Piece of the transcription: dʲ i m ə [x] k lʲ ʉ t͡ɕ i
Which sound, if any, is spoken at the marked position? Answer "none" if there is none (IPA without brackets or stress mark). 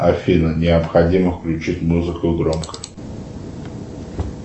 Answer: f